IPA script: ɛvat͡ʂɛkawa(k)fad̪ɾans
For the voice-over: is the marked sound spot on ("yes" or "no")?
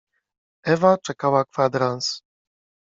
yes